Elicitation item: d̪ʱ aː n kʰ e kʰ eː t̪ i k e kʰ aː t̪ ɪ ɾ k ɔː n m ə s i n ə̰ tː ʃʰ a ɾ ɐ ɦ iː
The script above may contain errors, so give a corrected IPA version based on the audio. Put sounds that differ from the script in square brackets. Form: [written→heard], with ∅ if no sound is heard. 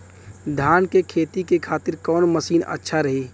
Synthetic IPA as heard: d̪ʱ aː n [kʰ→k] e kʰ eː t̪ i k e kʰ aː t̪ ɪ ɾ k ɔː n m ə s [i→iː] n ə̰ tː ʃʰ a ɾ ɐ ɦ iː